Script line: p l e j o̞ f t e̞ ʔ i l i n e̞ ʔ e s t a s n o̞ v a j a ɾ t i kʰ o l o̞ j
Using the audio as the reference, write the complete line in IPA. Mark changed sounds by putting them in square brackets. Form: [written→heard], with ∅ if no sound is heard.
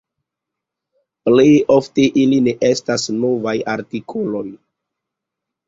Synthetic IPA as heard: p l e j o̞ f t e̞ ʔ i l i n e̞ ʔ e s t a s n o̞ v a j a ɾ t i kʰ o l o̞ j